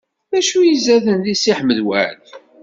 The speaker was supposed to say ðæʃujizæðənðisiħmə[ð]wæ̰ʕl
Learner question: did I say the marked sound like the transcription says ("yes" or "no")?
yes